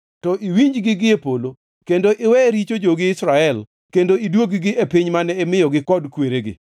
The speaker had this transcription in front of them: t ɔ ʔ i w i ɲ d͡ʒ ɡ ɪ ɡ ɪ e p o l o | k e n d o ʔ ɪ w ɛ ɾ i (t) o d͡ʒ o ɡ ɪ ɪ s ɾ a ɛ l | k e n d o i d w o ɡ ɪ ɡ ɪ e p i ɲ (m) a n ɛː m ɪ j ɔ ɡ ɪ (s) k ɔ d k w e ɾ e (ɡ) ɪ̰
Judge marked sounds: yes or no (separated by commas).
no, yes, no, yes